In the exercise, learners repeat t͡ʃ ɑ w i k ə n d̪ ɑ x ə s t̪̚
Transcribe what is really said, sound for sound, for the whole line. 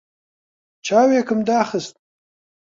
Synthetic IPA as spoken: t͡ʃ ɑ w e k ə m d̪ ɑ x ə s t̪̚